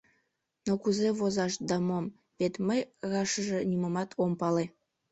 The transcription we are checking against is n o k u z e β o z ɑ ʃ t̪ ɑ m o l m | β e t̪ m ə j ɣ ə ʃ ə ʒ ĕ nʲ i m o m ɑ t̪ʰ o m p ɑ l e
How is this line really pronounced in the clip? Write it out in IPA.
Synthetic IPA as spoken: n o k u z e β o z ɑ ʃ d̪ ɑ m o m | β e t̪ m ə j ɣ ɑ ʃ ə ʒ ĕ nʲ i m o m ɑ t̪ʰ o m p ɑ l e